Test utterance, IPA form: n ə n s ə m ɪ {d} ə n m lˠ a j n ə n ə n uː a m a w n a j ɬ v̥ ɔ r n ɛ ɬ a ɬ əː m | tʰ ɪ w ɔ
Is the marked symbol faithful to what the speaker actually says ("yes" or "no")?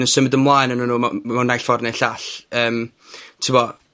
yes